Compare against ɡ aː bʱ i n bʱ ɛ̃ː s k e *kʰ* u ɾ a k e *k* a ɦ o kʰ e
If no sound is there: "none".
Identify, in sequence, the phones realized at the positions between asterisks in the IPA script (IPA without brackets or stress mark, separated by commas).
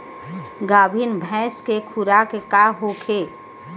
kʰ, k